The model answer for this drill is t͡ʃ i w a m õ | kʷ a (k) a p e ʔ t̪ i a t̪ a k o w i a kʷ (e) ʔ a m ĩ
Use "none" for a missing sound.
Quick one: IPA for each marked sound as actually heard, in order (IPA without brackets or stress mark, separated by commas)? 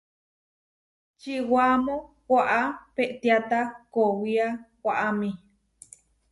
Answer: ʔ, a